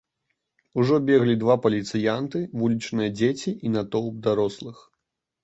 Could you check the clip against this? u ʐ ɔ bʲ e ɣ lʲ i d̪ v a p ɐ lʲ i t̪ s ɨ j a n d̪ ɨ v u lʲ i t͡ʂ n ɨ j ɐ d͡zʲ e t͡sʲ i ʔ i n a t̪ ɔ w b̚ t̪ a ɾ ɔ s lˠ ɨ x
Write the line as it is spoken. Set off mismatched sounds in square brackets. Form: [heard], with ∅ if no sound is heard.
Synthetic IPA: u ʐ ɔ bʲ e ɣ lʲ i d̪ v a p ɐ lʲ i t̪ s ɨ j a n [t̪] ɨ v u lʲ i t͡ʂ n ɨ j ɐ d͡zʲ e t͡sʲ i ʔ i n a t̪ ɔ w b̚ [d̪] a ɾ ɔ s lˠ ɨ x